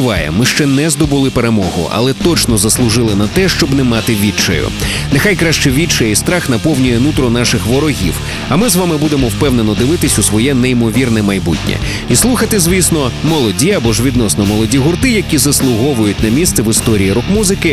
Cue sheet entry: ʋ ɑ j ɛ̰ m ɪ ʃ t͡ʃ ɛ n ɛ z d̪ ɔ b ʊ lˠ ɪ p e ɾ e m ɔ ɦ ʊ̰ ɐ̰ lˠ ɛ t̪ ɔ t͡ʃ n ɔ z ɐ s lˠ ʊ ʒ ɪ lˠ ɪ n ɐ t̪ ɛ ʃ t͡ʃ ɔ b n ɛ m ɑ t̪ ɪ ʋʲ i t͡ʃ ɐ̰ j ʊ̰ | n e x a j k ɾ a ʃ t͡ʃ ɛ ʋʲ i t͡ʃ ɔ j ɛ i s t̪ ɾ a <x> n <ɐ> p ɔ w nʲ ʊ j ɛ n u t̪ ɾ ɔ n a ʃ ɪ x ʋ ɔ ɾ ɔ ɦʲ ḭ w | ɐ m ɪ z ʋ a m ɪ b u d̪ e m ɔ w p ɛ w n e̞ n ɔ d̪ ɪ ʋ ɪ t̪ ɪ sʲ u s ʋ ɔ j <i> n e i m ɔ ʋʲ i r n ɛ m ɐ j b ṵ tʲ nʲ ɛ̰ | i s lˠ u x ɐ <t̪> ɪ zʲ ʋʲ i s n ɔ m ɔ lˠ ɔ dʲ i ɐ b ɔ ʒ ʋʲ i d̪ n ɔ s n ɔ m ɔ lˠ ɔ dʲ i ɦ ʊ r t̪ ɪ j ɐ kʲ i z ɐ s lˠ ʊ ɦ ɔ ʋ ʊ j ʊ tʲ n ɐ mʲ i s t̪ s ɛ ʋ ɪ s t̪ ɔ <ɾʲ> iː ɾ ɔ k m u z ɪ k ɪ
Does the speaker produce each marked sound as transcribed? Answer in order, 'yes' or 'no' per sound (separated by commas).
yes, yes, no, yes, yes